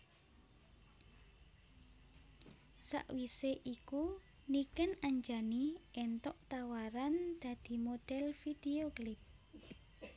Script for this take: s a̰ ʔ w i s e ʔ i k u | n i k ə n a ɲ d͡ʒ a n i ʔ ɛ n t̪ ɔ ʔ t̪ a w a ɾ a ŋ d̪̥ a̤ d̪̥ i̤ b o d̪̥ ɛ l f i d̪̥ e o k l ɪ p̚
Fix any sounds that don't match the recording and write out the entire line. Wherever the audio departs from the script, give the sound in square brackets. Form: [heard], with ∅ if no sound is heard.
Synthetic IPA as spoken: s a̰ ʔ w i s e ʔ i k u | n i k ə n a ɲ d͡ʒ a n i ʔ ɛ n t̪ ɔ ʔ t̪ a w a ɾ a [n] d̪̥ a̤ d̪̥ i̤ [m] o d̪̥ ɛ l f i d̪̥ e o k l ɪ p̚